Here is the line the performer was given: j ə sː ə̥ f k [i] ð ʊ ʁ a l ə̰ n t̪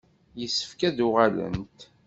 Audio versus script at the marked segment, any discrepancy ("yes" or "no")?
yes